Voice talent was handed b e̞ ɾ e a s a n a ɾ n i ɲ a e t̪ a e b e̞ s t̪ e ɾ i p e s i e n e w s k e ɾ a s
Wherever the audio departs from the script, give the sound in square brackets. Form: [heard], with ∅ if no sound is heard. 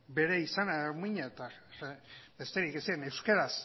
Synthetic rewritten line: b e̞ ɾ e [i] s a n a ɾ [m] i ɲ a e t̪ a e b e̞ s t̪ e ɾ i [k] e s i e n e w s k e ɾ a s